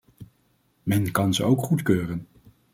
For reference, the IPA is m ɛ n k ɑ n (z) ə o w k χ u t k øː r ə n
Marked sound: correct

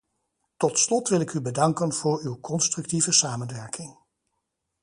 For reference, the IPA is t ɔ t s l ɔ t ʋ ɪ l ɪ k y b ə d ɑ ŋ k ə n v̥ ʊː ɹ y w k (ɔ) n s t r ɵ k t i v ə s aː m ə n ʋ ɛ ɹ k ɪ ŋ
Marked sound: correct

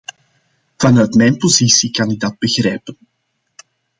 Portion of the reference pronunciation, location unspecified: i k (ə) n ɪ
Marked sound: incorrect: ɑ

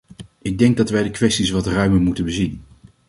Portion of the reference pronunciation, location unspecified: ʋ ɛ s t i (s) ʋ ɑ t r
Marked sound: correct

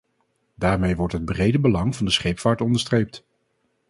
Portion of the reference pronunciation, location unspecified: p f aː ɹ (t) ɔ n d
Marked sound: correct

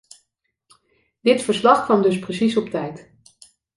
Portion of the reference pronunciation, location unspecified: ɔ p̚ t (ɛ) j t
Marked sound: correct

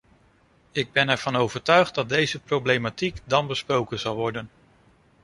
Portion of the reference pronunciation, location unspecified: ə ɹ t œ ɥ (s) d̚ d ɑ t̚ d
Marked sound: incorrect: χ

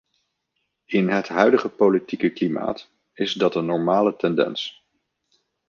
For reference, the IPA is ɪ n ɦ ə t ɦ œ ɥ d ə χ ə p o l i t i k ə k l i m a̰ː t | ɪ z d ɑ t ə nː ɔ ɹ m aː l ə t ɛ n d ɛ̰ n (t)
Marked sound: incorrect: s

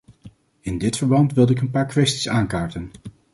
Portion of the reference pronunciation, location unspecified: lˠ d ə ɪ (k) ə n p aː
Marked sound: correct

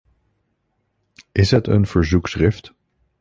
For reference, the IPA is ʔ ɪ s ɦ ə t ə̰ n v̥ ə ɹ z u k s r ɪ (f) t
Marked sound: correct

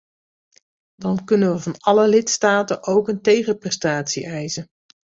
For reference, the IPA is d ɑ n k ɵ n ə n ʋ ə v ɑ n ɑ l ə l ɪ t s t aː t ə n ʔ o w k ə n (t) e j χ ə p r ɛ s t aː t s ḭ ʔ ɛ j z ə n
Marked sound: correct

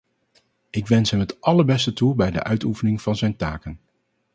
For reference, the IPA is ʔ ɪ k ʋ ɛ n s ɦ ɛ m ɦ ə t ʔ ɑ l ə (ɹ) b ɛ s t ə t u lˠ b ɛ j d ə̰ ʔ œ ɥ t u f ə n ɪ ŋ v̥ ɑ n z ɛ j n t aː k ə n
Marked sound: correct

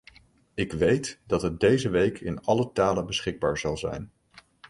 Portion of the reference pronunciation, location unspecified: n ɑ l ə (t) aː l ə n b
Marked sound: correct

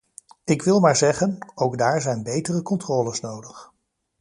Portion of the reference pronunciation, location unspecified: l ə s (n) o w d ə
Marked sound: correct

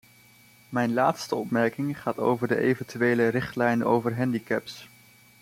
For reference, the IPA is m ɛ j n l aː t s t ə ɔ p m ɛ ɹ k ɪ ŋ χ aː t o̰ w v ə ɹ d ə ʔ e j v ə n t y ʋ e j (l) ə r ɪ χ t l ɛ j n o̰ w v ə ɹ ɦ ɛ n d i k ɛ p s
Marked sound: correct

